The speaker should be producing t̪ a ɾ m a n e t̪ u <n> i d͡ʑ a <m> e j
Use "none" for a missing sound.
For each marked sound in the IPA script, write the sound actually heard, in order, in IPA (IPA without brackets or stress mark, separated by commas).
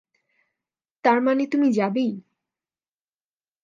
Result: m, b